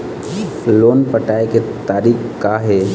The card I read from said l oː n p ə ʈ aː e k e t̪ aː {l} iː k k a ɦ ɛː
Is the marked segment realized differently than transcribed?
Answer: yes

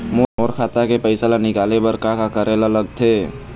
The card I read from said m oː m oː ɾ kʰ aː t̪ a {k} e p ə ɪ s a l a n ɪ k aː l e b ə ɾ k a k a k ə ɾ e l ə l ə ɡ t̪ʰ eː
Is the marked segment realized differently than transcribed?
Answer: no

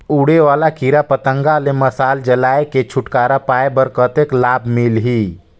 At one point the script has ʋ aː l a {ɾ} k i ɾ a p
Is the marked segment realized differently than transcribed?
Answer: yes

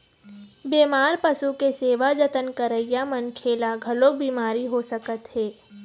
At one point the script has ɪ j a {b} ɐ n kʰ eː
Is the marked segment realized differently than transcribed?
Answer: yes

